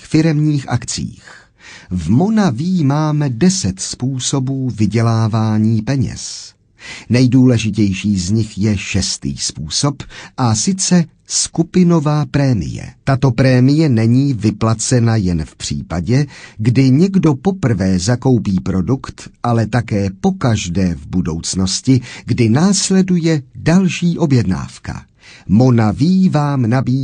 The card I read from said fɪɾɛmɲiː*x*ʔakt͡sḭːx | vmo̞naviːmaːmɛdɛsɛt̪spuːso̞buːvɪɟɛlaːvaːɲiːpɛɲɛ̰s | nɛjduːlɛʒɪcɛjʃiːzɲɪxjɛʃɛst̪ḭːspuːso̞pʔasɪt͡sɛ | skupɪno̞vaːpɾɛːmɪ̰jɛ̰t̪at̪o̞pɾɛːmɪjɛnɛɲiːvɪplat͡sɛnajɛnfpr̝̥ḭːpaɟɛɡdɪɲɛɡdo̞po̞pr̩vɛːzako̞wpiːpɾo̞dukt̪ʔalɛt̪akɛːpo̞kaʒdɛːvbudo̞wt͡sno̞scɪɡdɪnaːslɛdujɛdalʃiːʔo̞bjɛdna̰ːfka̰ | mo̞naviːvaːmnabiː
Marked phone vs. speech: correct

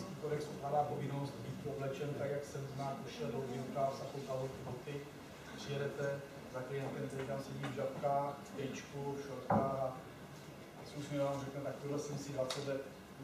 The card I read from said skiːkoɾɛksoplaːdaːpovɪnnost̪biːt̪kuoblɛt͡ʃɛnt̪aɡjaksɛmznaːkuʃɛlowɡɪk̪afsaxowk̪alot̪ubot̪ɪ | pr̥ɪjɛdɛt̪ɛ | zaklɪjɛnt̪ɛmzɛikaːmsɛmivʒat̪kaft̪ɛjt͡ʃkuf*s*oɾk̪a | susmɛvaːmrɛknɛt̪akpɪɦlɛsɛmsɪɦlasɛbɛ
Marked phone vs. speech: incorrect: ʃ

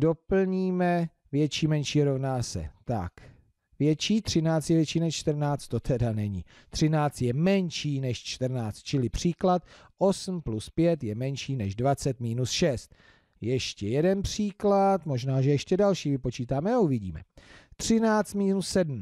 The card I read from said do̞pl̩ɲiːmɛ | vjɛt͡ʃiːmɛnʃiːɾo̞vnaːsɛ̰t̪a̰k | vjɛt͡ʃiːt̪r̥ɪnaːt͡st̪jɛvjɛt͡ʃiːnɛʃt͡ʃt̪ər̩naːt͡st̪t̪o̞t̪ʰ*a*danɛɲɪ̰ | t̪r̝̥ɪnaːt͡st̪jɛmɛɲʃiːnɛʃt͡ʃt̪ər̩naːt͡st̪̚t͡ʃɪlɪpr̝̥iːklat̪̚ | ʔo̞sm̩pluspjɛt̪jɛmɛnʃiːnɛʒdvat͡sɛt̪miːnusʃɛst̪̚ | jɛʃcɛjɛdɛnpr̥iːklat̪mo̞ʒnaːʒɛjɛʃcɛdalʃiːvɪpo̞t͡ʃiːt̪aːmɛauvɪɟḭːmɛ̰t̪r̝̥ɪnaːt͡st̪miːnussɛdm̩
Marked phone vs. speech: incorrect: ɛ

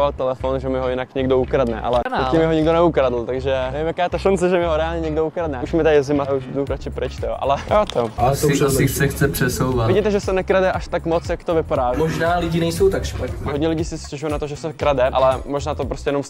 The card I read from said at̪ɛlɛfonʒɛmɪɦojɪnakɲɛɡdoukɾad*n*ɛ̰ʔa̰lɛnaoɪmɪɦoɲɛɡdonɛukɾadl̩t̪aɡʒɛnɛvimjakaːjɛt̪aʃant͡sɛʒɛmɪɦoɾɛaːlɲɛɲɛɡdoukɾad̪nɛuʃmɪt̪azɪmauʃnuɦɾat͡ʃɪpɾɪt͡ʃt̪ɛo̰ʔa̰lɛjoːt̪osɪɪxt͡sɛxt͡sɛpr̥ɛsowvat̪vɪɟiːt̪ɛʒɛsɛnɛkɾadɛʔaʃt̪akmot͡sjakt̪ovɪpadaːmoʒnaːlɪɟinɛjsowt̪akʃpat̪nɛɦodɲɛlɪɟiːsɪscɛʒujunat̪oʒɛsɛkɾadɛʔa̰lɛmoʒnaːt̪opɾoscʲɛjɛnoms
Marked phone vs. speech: correct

